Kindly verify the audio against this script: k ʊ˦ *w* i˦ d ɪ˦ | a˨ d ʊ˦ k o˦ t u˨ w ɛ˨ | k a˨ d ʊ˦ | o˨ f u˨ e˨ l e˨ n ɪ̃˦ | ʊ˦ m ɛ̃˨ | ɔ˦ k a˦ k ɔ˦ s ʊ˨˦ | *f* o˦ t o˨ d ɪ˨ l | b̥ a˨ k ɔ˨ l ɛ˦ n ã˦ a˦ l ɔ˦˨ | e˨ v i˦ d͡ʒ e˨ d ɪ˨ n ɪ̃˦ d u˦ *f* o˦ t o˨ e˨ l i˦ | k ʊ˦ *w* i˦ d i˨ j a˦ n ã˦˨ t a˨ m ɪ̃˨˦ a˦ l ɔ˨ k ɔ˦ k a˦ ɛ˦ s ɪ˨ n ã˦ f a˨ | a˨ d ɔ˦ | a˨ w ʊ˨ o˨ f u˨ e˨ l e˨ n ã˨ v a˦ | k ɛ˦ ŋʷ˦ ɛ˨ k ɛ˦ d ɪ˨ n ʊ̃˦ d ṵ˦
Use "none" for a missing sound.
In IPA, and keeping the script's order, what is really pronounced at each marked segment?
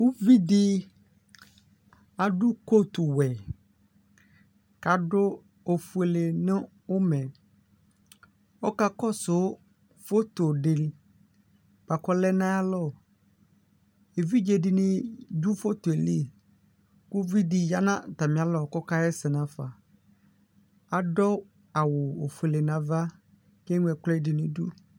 v, f, f, v

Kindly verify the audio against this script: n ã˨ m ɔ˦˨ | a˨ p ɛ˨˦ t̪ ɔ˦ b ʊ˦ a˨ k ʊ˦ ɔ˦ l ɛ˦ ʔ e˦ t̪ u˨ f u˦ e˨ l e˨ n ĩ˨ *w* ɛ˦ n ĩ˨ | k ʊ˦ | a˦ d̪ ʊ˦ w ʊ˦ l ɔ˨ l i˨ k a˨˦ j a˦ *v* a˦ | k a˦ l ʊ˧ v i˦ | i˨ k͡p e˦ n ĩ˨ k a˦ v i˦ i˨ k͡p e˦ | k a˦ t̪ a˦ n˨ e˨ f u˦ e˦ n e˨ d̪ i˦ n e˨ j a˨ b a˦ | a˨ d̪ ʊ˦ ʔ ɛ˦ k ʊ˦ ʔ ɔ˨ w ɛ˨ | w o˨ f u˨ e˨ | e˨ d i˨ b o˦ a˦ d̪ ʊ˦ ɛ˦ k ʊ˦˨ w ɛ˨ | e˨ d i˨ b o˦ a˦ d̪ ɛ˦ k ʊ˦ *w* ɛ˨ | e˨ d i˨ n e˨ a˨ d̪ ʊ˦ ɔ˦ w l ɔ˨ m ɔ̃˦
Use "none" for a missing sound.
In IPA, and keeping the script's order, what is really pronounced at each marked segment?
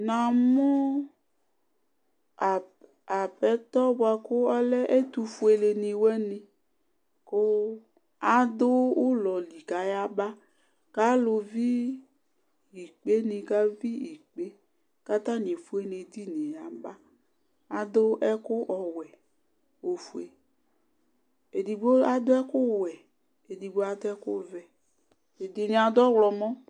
w, b, v

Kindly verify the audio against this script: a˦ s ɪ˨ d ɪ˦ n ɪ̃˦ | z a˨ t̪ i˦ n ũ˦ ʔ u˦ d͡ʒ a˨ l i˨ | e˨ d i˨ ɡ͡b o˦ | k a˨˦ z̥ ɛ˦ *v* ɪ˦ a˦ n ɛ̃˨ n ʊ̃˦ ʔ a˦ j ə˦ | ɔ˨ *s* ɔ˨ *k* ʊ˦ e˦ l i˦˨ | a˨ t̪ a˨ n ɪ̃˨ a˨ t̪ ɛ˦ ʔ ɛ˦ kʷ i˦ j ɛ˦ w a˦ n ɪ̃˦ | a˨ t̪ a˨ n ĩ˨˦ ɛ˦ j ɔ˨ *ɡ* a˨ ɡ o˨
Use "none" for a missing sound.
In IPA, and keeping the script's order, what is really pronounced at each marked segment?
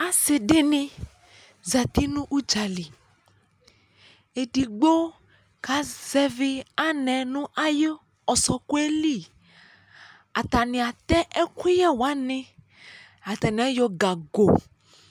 v, s, k, ɡ

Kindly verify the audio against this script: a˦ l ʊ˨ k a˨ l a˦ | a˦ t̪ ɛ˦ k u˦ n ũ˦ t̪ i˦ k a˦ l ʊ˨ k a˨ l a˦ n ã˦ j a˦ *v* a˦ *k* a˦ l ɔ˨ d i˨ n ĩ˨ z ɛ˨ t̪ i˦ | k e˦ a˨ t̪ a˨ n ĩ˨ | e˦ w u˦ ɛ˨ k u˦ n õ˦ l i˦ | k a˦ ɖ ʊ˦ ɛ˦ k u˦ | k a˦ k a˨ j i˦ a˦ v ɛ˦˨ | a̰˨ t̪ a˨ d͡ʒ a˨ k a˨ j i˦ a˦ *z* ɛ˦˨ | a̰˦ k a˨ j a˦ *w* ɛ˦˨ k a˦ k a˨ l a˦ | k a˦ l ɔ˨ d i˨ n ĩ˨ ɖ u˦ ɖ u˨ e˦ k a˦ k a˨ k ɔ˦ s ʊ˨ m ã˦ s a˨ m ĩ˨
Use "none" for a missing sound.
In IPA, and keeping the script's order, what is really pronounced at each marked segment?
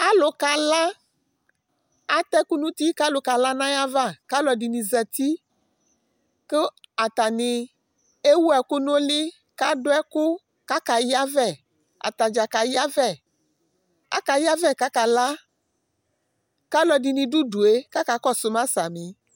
v, k, v, v

